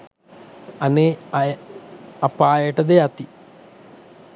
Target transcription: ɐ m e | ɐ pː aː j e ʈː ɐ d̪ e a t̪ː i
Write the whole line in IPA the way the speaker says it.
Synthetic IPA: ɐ n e | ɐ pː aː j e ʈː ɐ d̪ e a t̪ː i